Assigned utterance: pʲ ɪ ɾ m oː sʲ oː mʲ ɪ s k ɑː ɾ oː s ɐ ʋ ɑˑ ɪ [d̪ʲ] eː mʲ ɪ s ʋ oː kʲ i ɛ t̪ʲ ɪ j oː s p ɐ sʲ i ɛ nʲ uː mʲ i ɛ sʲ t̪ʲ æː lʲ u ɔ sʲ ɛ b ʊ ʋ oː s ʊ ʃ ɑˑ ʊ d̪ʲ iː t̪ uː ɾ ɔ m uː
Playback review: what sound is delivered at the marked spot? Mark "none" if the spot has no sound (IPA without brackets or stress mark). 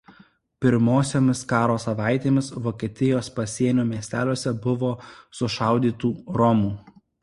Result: t̪ʲ